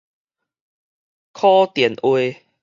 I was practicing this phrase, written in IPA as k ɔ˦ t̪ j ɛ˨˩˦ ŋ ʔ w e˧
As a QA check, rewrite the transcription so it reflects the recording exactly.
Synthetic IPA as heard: kʰ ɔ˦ t̪ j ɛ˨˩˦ n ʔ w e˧